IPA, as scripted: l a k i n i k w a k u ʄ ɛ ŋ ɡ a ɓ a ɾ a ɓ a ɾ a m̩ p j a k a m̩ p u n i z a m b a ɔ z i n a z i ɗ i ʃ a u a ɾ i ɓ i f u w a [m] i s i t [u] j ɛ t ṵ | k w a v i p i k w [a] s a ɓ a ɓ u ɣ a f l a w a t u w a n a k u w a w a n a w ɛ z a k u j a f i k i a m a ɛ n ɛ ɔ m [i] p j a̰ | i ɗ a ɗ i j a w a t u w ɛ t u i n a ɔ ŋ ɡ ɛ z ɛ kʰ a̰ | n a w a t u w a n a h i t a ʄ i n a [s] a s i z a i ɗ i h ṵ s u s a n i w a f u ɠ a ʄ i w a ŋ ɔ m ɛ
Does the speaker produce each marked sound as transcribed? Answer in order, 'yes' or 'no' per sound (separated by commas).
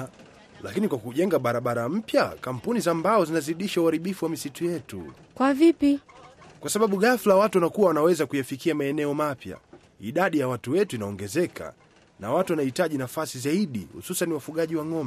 yes, yes, yes, no, no